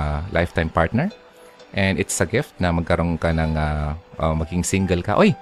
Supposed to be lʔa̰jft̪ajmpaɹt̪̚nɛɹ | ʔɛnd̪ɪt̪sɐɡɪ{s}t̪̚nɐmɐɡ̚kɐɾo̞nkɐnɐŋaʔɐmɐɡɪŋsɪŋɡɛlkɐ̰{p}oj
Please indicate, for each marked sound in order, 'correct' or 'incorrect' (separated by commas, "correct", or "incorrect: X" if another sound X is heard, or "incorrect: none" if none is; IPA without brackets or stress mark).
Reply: incorrect: f, incorrect: ʔ